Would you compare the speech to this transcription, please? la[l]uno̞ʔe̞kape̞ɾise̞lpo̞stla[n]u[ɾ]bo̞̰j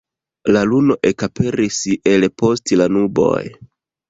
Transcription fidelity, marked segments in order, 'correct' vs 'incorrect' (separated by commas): correct, correct, incorrect